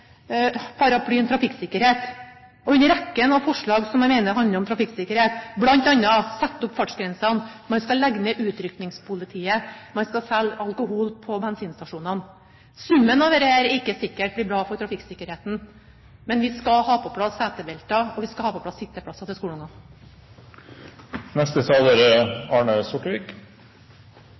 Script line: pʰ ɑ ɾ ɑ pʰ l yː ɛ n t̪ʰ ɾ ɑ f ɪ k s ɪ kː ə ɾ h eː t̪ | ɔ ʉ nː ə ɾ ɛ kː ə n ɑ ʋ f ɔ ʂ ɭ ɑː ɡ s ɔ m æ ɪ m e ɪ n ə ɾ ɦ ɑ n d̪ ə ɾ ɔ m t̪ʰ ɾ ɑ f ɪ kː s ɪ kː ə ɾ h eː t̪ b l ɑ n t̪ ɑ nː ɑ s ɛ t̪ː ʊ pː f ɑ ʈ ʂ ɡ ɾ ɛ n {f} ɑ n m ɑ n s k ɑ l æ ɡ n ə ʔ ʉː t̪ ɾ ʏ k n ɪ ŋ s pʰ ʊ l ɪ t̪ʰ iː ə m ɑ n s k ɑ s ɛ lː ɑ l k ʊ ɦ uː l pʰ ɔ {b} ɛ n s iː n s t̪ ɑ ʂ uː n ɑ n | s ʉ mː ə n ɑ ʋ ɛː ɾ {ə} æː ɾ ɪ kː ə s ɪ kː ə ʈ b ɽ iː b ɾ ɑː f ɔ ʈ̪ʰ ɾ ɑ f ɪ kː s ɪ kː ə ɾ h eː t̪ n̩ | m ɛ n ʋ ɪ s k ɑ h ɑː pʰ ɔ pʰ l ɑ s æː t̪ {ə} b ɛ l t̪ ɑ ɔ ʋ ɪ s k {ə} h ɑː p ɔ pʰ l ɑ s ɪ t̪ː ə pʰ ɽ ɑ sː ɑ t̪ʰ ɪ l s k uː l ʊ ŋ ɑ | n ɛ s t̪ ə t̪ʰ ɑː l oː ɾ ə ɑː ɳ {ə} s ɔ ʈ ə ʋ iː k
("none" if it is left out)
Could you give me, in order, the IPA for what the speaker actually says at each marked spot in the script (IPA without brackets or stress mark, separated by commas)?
s, b, ə, ə, ɑ, ə